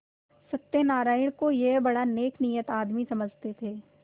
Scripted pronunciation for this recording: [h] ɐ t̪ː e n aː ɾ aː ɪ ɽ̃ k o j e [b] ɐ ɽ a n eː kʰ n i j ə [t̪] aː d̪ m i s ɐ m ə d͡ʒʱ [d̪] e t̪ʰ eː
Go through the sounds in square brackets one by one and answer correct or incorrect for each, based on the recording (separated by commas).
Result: incorrect, correct, correct, incorrect